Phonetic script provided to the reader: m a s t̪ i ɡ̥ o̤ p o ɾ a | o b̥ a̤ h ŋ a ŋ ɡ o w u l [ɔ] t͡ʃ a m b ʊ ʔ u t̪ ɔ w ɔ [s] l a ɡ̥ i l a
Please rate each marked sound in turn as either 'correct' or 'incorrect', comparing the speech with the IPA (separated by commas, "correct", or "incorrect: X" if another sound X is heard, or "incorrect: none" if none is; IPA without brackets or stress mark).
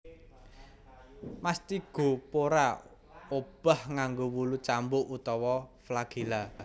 incorrect: u, incorrect: f